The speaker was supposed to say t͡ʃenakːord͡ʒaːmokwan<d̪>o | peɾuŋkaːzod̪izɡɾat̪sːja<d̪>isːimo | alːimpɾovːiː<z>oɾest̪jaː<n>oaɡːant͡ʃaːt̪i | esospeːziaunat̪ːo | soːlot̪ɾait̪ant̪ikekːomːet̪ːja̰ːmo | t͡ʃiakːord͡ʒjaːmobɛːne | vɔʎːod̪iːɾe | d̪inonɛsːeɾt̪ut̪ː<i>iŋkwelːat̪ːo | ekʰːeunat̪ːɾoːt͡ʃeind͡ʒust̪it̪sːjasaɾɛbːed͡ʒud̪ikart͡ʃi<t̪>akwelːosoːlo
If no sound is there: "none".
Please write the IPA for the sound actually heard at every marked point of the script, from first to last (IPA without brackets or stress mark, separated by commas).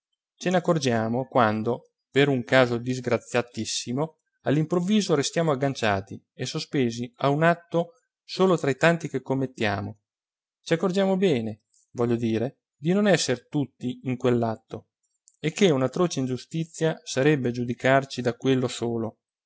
d̪, t̪, z, m, i, d̪